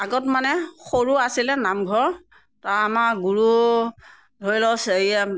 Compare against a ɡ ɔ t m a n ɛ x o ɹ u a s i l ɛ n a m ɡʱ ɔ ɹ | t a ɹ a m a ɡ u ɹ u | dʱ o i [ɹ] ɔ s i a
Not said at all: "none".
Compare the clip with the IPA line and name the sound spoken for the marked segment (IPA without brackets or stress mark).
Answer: l